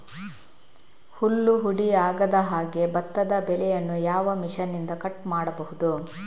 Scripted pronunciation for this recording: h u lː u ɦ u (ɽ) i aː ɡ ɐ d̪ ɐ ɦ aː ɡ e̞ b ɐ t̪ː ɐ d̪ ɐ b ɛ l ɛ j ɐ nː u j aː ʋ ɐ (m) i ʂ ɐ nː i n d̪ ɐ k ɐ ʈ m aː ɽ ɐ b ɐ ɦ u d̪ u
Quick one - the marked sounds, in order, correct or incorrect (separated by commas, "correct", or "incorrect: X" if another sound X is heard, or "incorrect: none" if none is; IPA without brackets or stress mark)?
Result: correct, correct